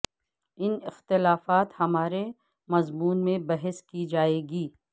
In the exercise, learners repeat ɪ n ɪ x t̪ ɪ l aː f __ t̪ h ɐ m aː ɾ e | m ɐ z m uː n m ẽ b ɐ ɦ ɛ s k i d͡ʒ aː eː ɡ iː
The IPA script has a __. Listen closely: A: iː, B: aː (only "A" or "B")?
B